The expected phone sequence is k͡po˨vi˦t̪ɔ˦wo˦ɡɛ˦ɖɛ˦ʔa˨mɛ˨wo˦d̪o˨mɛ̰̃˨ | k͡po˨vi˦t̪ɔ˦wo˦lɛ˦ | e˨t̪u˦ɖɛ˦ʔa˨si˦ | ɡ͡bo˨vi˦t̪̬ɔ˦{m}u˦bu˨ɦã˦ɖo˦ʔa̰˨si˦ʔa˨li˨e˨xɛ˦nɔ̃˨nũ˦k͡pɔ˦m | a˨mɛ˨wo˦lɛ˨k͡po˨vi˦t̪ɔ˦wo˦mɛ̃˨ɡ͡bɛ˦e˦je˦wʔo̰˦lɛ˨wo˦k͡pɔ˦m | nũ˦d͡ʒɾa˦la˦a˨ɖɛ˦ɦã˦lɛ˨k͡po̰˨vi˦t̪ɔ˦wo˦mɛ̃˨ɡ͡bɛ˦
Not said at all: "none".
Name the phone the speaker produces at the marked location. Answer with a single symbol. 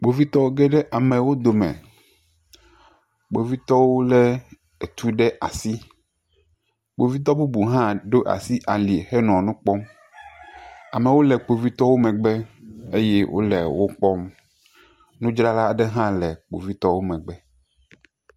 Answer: b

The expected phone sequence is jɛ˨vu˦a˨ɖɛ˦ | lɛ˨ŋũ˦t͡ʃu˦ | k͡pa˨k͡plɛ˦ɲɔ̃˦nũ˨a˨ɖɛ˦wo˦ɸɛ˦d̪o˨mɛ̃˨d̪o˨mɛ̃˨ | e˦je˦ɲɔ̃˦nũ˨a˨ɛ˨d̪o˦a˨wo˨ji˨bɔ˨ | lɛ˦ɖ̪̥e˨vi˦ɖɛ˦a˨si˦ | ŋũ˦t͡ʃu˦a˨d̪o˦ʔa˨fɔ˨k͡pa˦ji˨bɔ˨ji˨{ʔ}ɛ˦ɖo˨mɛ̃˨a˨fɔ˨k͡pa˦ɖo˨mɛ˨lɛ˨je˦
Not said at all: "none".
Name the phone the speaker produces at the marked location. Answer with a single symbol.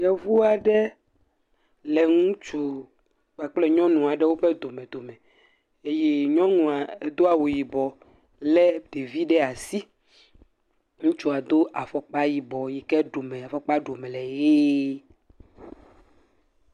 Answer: k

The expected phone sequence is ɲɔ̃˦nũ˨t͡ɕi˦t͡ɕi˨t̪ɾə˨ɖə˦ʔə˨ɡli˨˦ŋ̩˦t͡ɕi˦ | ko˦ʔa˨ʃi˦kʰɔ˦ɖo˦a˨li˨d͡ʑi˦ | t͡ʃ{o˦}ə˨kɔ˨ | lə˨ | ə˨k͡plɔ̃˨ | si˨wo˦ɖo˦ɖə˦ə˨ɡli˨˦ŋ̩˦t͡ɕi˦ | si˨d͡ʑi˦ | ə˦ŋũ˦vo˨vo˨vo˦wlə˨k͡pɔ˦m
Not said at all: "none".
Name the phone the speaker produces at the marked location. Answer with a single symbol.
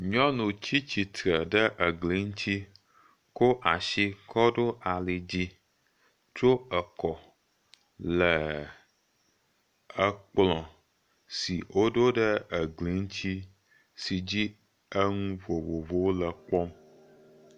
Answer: o˦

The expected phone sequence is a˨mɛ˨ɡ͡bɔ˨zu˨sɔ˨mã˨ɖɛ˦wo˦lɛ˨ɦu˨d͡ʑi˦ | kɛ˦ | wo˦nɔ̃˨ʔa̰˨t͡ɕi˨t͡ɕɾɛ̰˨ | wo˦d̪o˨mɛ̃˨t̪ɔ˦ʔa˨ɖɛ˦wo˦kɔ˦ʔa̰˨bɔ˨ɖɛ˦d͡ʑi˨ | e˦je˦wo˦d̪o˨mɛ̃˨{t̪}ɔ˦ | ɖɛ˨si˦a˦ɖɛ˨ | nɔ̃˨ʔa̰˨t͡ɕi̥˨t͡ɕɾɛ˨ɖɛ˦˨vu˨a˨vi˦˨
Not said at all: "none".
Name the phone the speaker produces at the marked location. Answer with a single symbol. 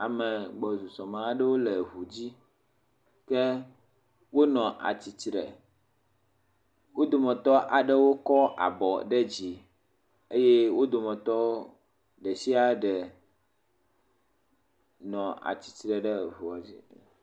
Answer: t̪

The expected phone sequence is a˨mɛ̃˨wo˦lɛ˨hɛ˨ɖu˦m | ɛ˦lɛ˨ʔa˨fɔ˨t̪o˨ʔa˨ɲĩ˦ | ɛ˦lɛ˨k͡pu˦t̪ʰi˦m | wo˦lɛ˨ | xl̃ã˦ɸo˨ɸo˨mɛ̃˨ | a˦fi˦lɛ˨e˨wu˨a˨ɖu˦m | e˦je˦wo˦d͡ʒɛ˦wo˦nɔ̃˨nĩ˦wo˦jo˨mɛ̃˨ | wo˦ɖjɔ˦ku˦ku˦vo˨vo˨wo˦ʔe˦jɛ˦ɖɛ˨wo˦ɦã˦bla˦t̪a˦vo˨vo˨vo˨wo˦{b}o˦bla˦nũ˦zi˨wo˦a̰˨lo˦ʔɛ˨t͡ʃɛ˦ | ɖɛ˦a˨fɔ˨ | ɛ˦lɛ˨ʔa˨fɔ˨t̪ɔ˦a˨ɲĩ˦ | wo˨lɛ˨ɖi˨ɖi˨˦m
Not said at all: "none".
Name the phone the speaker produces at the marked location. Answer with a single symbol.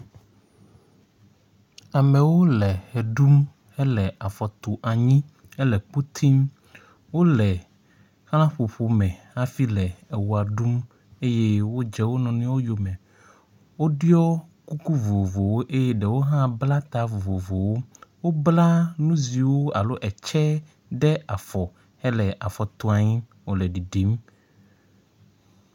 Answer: w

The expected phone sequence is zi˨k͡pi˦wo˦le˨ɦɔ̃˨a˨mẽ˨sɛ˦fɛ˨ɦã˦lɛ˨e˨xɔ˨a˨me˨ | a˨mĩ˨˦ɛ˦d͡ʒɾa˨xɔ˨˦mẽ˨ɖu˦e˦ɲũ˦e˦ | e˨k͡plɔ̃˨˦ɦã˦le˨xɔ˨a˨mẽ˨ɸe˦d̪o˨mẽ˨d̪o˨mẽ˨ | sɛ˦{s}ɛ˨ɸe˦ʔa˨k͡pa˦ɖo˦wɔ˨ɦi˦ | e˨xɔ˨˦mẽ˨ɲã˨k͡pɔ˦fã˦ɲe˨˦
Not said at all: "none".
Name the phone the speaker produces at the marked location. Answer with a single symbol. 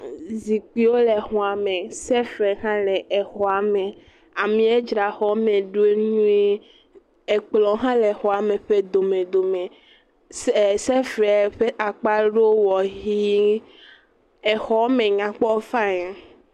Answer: f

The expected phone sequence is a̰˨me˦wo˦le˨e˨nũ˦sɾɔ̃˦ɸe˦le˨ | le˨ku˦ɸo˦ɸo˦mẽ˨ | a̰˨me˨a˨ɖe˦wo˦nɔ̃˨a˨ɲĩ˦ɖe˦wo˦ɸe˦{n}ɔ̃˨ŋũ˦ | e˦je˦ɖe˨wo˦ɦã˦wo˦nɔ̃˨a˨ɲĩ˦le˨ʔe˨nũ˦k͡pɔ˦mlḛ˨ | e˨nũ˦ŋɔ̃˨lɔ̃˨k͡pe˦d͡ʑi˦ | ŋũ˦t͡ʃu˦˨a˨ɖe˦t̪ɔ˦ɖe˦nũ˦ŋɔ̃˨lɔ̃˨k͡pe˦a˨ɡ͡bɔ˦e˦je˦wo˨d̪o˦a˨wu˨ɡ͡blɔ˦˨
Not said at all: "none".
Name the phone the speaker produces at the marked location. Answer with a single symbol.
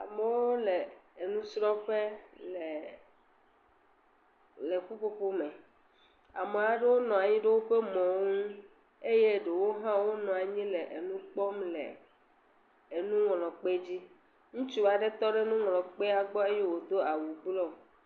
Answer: m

